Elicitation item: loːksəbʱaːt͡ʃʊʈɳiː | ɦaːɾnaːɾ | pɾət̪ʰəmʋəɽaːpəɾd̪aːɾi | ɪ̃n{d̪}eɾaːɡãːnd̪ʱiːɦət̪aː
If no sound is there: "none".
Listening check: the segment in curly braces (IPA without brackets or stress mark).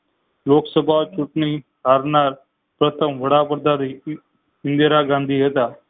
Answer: d̪